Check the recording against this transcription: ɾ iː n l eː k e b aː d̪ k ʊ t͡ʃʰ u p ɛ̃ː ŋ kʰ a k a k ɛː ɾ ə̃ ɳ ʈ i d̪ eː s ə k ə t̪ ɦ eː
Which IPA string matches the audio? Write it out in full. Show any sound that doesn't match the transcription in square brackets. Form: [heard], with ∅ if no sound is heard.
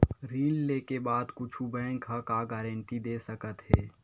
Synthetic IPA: ɾ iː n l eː k e b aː d̪ k ʊ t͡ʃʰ u [b] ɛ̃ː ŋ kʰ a k a [ɡ] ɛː ɾ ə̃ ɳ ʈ i d̪ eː s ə k ə t̪ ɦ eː